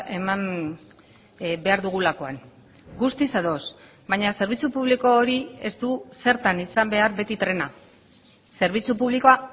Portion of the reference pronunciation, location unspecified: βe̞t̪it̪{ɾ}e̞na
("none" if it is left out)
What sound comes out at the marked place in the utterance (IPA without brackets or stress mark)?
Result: ɾ